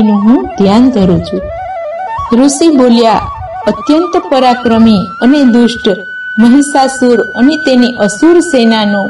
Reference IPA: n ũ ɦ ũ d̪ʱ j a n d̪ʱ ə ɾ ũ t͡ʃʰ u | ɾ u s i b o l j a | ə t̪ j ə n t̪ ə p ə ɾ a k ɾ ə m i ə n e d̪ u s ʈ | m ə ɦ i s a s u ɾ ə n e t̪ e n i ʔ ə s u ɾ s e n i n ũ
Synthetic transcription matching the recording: n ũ ɦ ũ d̪ʱ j a n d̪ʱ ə ɾ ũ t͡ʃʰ u | ɾ u s i b o l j a | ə t̪ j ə n t̪ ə p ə ɾ a k ɾ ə m i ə n e d̪ u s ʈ | m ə ɦ i s a s u ɾ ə n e t̪ e n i ʔ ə s u ɾ s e n a n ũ